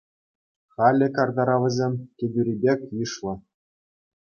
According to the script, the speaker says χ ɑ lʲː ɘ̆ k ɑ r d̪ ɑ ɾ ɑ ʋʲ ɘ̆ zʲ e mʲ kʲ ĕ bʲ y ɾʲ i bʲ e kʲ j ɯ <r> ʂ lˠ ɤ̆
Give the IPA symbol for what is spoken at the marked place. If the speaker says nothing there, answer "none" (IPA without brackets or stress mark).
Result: none